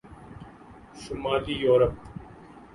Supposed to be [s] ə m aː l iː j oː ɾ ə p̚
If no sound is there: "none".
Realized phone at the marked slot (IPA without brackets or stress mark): s